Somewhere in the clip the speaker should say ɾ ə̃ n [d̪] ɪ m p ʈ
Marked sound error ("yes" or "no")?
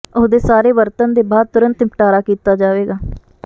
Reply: yes